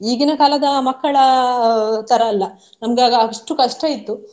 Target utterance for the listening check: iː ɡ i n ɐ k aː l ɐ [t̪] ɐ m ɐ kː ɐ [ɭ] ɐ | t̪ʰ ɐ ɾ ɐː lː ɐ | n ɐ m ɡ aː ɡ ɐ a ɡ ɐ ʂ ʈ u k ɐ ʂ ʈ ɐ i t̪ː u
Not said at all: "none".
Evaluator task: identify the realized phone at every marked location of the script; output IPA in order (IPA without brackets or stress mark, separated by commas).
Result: d̪, ɭ